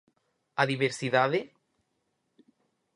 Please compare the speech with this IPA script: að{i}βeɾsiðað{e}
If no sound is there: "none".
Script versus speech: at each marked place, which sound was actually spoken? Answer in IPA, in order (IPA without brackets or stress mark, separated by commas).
i, e